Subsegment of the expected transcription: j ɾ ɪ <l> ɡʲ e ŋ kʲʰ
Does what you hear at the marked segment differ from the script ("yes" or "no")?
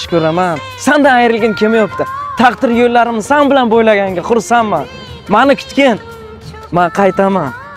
no